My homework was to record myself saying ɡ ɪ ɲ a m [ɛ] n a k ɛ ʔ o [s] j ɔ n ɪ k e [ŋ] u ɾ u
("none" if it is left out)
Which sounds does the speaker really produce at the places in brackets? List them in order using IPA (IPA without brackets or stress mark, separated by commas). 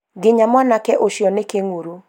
a, ʃ, ŋ